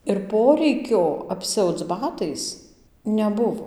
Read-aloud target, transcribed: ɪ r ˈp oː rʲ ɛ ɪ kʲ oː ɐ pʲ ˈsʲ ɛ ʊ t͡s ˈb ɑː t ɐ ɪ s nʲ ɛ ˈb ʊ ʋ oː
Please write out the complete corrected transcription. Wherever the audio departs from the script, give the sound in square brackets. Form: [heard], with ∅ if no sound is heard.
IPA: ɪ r ˈp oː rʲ ɛ ɪ kʲ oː ɐ pʲ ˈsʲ ɛ ʊ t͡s ˈb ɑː t ɐ ɪ s nʲ ɛ ˈb ʊ ʋ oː